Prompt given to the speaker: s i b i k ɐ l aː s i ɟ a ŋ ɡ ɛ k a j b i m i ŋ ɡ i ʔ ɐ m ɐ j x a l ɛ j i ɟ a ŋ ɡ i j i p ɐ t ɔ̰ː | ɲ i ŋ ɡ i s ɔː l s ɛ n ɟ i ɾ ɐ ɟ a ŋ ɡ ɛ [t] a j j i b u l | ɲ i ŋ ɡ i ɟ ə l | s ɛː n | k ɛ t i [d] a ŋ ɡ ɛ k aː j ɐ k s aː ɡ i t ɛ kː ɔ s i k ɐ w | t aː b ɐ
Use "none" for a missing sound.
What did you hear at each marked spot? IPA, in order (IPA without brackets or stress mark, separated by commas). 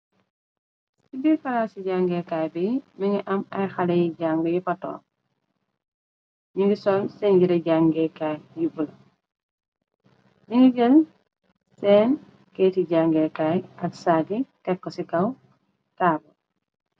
k, ɟ